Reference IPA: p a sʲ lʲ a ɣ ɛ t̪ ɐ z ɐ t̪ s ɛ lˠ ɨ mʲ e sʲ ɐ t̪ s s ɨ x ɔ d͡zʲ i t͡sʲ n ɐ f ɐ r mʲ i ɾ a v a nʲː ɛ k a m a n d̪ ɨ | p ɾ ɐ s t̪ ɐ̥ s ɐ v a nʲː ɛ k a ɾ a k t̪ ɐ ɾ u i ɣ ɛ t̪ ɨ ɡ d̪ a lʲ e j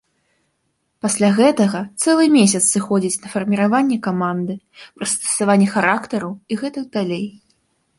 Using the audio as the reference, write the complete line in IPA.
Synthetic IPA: p a sʲ lʲ a ɣ ɛ t̪ ɐ ɣ ɐ t̪ s ɛ lˠ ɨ mʲ e sʲ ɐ t̪ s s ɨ x ɔ d͡zʲ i t͡sʲ n ɐ f ɐ r mʲ i ɾ a v a nʲː ɛ k a m a n d̪ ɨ | p ɾ ɐ s t̪ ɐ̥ s a v a nʲː ɛ x a ɾ a k t̪ ɐ ɾ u i ɣ ɛ t̪ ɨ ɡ d̪ a lʲ e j